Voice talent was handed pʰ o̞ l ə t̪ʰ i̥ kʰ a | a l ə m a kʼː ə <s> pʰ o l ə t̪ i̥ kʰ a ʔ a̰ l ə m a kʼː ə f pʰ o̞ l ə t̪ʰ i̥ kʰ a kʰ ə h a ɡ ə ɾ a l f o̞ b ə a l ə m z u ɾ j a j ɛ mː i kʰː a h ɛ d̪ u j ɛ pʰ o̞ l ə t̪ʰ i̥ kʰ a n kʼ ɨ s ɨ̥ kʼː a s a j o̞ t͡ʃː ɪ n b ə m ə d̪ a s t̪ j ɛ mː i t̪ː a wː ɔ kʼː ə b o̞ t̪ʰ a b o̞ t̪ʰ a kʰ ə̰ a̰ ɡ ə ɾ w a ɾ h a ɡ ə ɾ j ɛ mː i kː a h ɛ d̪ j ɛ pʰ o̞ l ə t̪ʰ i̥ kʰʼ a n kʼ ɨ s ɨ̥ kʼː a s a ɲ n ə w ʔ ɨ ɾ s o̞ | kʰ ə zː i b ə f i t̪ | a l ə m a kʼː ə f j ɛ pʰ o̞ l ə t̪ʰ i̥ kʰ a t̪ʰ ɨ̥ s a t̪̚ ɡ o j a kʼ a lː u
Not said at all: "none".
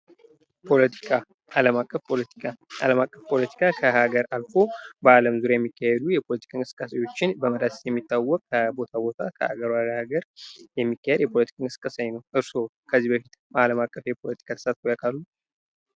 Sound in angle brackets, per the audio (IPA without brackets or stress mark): f